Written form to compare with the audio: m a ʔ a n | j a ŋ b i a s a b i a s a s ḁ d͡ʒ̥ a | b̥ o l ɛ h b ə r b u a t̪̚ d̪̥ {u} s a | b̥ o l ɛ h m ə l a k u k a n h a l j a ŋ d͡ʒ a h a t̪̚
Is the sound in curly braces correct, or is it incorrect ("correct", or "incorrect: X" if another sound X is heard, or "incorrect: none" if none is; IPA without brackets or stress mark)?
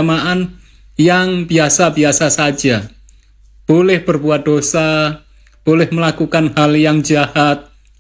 incorrect: o